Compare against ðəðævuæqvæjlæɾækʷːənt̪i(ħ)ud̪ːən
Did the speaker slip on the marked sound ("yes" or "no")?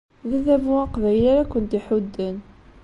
no